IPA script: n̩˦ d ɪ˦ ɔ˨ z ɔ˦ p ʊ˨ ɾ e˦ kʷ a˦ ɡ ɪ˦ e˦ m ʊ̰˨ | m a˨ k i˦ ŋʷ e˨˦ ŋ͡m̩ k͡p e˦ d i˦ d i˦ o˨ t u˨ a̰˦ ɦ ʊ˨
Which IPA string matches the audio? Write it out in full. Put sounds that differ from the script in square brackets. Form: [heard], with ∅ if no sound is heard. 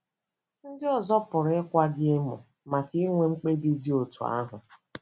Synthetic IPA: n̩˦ d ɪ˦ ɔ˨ z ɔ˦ p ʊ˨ ɾ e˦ kʷ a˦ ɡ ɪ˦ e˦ m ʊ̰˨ | m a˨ k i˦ ŋʷ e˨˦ ŋ͡m̩ k͡p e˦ d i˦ d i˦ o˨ t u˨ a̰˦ ɦ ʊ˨